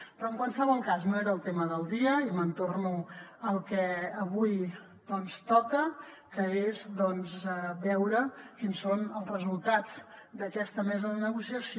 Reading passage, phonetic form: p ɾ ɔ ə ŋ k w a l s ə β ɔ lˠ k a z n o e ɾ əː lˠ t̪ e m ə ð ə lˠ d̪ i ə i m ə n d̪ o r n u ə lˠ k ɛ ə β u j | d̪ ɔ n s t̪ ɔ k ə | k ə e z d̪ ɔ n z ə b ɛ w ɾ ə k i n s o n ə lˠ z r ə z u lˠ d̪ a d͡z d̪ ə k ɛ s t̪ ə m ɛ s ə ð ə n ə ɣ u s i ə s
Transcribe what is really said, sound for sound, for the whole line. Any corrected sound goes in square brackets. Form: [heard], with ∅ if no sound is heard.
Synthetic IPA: p ɾ ɔ ə ŋ k w a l s ə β ɔ lˠ k a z n o e ɾ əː lˠ t̪ e m ə ð ə lˠ d̪ i ə i m ə n [t̪] o r n u ə lˠ k ɛ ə β u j | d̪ ɔ n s t̪ ɔ k ə | k ə e z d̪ ɔ n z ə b ɛ w ɾ ə k i n s o n ə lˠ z r ə z u lˠ [t̪] a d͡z d̪ ə k ɛ s t̪ ə m ɛ [z] ə ð ə n ə ɣ u s i ə s